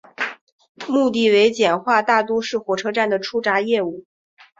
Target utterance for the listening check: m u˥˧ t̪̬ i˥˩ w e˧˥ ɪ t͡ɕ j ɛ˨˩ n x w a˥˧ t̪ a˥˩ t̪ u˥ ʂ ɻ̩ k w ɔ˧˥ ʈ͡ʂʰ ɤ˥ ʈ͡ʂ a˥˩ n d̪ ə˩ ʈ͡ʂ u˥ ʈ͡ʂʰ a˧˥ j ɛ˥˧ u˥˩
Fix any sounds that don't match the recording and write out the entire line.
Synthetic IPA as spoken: m u˥˧ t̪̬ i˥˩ w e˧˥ ɪ t͡ɕ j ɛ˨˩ n x w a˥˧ t̪ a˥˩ t̪ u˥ ʂ ɻ̩ x w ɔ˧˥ ʈ͡ʂʰ ɤ˥ ʈ͡ʂ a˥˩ n d̪ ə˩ ʈ͡ʂʰ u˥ ʈ͡ʂ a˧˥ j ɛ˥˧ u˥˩